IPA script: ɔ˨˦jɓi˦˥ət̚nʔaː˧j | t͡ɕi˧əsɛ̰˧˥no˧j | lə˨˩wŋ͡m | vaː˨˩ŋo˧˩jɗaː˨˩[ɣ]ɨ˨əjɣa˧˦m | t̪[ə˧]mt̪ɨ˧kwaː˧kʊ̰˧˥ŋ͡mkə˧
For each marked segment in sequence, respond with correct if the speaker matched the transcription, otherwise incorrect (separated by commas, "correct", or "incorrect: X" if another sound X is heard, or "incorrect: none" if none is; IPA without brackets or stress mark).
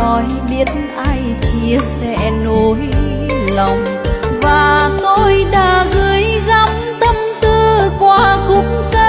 correct, correct